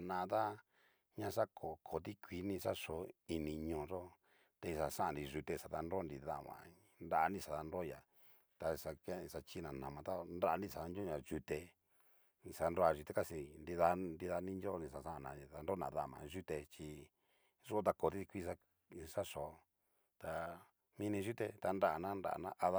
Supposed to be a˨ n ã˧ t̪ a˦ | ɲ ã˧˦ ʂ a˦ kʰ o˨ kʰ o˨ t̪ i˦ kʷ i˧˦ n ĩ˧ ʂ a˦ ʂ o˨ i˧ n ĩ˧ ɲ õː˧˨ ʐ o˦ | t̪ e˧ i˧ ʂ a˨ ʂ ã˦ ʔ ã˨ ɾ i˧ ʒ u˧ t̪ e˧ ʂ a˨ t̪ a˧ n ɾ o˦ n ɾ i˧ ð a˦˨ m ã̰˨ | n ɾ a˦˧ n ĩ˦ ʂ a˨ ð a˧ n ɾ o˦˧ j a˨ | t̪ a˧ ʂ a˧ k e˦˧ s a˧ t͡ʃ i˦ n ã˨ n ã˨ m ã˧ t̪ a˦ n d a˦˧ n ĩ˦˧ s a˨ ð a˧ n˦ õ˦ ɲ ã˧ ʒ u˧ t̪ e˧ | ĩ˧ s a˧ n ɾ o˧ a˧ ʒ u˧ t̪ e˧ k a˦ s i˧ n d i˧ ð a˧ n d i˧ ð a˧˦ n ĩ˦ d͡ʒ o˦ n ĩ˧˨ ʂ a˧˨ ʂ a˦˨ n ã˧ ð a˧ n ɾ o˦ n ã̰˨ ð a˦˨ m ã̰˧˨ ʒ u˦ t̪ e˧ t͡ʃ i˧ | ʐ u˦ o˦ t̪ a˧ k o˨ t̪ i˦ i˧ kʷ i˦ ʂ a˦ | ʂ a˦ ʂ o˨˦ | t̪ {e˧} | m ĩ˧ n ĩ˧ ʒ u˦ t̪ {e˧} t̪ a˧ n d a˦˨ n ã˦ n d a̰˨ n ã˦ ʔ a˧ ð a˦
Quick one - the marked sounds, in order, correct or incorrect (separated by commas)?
incorrect, correct